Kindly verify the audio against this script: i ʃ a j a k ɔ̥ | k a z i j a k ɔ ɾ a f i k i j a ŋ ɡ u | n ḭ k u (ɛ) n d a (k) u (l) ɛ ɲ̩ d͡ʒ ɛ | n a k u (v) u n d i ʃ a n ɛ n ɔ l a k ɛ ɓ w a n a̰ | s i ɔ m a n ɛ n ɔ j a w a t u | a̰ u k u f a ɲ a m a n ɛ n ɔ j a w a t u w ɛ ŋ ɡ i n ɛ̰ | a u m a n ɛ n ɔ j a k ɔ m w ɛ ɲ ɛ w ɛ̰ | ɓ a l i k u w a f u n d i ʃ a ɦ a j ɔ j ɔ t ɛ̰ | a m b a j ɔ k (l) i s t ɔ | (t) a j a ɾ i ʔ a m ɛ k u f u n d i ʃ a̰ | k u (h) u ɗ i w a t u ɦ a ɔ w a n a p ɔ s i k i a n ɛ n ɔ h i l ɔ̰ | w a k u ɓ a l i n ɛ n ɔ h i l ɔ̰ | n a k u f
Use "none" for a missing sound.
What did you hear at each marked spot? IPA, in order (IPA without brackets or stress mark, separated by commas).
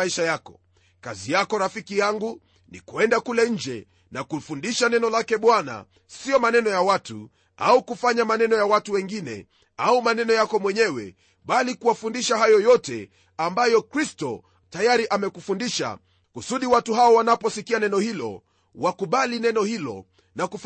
ɛ, k, l, f, ɾ, t, s